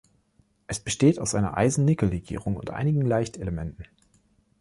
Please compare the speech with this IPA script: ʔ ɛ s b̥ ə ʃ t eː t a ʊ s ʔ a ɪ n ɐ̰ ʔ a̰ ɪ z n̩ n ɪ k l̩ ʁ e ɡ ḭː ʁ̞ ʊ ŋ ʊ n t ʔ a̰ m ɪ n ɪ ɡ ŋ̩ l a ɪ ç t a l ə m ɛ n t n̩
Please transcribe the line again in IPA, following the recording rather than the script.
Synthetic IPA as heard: ʔ ɛ s b̥ ə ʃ t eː t a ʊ s ʔ a ɪ n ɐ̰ ʔ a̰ ɪ z n̩ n ɪ k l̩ ʁ e ɡ ḭː ʁ̞ ʊ ŋ ʊ n t ʔ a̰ ɪ n ɪ ɡ ŋ̩ l a ɪ ç t e l ə m ɛ n t n̩